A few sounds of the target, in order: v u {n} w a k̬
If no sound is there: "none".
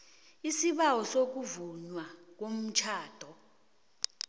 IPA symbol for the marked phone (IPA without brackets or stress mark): ɲ